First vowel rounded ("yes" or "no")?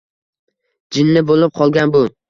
no